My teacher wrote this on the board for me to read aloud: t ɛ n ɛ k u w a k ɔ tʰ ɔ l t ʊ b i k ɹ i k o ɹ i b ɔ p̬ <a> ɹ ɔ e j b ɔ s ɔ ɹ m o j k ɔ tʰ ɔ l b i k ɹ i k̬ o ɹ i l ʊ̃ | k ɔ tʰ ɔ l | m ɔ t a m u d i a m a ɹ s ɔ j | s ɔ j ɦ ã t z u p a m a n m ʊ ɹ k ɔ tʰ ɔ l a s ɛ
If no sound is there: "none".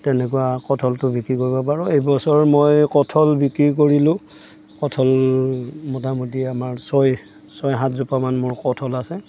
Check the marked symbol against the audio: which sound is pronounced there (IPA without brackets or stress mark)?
a